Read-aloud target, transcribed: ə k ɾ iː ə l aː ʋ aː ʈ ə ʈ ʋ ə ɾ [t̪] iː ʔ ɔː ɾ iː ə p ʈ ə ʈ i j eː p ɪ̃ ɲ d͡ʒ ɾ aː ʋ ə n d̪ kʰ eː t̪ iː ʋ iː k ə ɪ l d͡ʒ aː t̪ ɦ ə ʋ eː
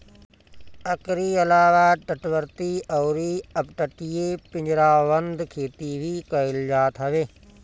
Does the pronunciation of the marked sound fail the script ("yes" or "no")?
no